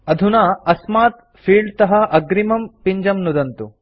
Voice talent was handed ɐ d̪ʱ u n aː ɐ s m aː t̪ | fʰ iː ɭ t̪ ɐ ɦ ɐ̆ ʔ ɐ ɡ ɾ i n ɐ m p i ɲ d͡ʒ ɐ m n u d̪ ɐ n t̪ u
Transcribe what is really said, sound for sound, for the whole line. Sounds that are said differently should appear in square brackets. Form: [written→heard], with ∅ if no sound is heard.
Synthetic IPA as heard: ɐ d̪ʱ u n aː ɐ s m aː t̪ | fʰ iː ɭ t̪ ɐ ɦ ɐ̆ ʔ ɐ ɡ ɾ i [n→m] ɐ m p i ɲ d͡ʒ ɐ m n u d̪ ɐ n t̪ u